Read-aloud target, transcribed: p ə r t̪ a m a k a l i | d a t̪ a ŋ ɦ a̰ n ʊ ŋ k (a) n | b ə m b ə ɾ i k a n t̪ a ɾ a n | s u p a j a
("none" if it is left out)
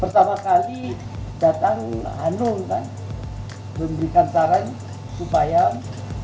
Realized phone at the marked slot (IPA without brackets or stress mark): a